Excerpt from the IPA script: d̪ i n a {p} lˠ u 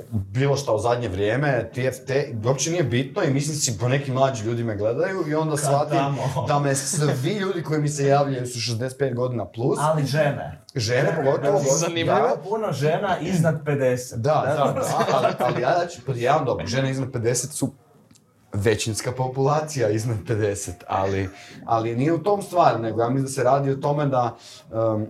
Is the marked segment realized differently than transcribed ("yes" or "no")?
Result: no